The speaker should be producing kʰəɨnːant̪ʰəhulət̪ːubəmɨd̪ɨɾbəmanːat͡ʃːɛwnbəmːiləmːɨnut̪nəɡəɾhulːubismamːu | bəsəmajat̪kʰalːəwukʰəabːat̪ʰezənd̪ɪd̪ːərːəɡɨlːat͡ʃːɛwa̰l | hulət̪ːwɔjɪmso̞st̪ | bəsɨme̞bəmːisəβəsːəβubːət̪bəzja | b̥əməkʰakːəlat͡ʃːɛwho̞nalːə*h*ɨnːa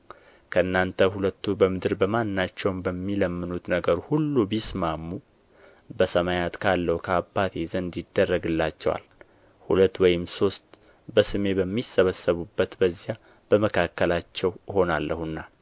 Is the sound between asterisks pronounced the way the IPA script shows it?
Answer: yes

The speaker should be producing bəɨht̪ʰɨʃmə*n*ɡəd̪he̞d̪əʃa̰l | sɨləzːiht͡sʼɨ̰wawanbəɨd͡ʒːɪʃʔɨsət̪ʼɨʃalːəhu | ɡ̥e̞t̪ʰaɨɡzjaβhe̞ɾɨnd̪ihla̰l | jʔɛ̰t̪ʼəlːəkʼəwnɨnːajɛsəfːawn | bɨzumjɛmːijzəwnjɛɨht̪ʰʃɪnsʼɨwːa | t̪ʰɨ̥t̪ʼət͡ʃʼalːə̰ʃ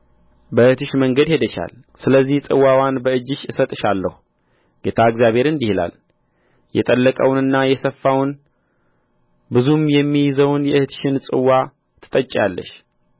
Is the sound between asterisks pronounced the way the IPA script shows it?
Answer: no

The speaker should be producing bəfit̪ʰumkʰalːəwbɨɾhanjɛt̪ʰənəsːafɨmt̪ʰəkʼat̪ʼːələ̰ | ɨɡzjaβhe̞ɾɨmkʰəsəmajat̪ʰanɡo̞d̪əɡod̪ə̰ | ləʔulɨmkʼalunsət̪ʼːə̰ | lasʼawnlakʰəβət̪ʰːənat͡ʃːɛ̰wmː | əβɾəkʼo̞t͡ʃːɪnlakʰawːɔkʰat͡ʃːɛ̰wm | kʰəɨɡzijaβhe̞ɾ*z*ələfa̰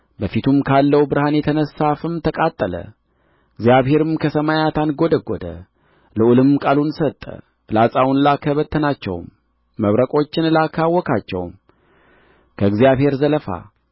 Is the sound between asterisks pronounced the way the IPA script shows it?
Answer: yes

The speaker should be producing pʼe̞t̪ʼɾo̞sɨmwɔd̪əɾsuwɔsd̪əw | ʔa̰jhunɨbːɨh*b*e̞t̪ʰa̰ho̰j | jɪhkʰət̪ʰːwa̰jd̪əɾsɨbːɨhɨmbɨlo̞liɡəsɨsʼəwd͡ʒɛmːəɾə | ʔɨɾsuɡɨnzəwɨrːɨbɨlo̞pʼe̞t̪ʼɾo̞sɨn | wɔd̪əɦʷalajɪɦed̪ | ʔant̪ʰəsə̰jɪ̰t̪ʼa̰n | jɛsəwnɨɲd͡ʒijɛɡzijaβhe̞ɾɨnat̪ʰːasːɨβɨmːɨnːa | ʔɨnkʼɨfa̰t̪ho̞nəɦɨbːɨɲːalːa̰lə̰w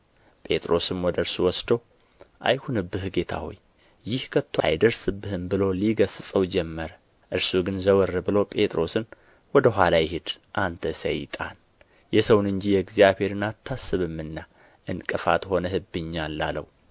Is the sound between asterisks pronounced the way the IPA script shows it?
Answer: no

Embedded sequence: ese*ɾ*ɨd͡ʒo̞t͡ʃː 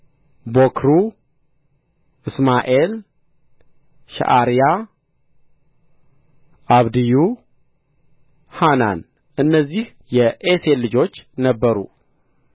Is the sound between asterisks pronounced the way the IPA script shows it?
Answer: no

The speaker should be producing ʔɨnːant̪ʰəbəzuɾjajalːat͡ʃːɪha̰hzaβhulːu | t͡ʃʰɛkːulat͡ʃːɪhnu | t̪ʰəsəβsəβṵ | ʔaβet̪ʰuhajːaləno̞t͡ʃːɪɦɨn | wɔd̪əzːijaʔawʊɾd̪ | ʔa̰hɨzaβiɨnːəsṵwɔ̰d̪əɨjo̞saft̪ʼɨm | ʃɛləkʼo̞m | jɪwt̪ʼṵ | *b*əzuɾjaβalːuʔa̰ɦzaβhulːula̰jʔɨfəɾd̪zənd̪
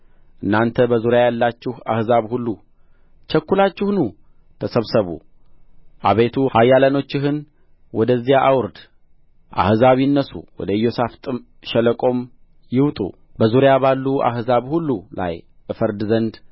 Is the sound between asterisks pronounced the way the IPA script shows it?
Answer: yes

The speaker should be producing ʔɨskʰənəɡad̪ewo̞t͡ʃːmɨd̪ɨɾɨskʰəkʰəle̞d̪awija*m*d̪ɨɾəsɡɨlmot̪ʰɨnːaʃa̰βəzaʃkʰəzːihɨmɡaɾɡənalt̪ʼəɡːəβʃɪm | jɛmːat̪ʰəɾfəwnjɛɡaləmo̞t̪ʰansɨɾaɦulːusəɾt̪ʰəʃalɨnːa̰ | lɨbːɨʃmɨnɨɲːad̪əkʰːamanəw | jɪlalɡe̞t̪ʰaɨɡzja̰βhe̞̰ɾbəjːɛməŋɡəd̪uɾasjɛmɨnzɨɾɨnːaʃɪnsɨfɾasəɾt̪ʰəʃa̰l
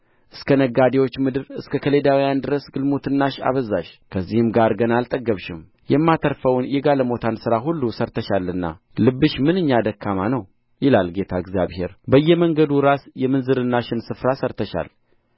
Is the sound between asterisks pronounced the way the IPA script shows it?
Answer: no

